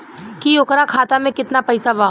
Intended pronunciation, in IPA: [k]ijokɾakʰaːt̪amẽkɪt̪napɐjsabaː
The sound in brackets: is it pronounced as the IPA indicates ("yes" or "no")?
yes